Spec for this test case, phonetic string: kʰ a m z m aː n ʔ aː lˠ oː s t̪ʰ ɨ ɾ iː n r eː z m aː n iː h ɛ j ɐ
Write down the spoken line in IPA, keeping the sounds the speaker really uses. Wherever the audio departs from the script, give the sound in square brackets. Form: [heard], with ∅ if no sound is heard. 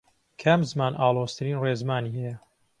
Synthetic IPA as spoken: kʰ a m z m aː n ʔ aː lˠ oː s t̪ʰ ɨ ɾ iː n r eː z m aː n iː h ɛ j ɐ